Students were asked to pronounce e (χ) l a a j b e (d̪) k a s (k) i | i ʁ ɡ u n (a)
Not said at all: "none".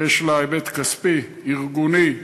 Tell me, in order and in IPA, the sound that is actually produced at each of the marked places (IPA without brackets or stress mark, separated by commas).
ʃ, t̪, p, i